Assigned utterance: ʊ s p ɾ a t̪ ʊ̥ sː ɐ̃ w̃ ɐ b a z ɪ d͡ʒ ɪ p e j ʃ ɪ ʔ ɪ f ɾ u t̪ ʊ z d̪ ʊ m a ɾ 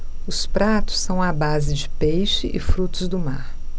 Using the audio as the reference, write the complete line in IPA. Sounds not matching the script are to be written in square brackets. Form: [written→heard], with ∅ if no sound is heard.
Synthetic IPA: ʊ s p ɾ a t̪ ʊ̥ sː ɐ̃ w̃ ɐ b a z ɪ d͡ʒ ɪ p e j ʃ ɪ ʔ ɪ f ɾ u t̪ ʊ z d̪ ʊ m a ɾ

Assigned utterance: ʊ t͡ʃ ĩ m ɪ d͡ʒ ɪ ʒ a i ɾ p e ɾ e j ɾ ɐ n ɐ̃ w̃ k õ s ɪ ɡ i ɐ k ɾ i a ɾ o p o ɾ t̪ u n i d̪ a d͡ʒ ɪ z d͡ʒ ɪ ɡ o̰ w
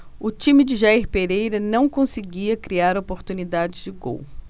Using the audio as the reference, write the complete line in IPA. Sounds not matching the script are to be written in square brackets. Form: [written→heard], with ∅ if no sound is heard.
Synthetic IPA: ʊ t͡ʃ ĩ m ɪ d͡ʒ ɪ ʒ a i ɾ p e ɾ e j ɾ ɐ n ɐ̃ w̃ k õ s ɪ ɡ i ɐ k ɾ i a ɾ o p o ɾ t̪ u n i d̪ a d͡ʒ ɪ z d͡ʒ ɪ ɡ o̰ w

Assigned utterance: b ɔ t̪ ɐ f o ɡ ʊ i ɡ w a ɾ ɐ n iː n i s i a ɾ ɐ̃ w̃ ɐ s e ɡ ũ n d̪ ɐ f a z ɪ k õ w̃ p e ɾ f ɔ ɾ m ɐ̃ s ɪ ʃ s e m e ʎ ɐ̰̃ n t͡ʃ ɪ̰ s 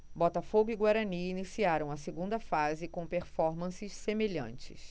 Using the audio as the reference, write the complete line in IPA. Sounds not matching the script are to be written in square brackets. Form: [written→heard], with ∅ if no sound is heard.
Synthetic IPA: b ɔ t̪ ɐ f o ɡ ʊ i ɡ w a ɾ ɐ n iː n i s i a ɾ ɐ̃ w̃ ɐ s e ɡ ũ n d̪ ɐ f a z ɪ k õ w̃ p e ɾ f ɔ ɾ m ɐ̃ s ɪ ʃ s e m e ʎ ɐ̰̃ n t͡ʃ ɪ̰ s

